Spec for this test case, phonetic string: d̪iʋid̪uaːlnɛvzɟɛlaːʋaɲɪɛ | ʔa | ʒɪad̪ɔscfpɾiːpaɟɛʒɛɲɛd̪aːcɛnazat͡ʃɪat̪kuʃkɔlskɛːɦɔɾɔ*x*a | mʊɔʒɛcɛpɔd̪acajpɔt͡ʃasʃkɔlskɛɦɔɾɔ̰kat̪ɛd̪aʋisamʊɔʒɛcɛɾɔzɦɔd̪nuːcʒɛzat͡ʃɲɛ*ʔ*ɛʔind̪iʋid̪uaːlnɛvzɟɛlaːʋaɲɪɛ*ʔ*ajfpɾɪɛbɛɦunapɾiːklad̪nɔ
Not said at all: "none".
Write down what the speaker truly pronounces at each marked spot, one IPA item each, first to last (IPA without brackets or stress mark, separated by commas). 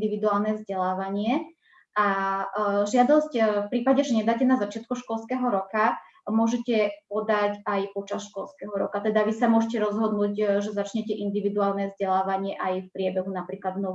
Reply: k, c, ʔ